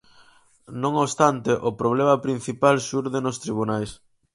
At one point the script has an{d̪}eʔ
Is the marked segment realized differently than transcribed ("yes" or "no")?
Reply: yes